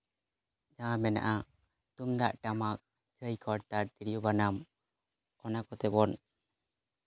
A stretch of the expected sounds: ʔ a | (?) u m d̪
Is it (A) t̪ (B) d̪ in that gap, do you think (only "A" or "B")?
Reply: A